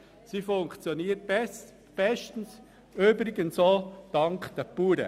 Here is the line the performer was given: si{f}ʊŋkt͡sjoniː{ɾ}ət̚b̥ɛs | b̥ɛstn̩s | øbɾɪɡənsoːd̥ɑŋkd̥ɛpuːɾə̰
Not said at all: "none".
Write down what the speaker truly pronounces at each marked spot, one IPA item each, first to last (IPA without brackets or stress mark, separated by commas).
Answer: f, none